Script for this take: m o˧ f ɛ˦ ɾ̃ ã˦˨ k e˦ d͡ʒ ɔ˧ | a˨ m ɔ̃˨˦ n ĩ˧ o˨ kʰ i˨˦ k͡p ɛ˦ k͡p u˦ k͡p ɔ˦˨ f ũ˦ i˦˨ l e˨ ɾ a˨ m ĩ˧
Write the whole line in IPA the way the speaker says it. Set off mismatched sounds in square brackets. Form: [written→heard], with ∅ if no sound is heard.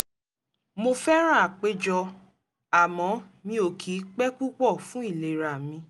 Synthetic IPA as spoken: m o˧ f ɛ˦ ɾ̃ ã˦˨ [k→k͡p] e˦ d͡ʒ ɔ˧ | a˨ m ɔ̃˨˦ [n→m] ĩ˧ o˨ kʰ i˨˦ k͡p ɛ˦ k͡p u˦ k͡p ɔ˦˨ f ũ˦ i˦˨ l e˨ ɾ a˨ m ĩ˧